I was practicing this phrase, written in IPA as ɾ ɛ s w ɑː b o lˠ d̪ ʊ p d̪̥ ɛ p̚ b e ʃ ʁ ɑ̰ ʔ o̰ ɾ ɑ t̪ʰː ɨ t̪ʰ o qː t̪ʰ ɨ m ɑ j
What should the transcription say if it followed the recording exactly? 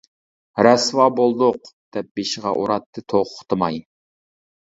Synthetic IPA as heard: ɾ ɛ s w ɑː b o lˠ d̪ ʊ q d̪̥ ɛ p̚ b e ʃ ʁ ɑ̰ ʔ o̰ ɾ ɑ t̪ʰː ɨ t̪ʰ o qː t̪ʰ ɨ m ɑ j